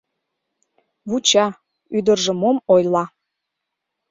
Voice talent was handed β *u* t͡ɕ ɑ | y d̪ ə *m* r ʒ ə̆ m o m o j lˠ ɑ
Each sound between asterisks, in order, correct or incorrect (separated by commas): correct, incorrect